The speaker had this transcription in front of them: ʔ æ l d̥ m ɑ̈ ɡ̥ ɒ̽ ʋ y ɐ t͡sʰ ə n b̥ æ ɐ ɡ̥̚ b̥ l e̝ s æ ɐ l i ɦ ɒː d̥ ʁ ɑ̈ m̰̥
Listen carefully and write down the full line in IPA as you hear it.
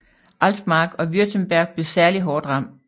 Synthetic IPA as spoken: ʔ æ l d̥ m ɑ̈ ɡ̥ ɒ̽ ʋ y ɐ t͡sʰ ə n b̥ æ ɐ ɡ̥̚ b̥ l e̝ s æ ɐ l i ɦ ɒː d̥ ʁ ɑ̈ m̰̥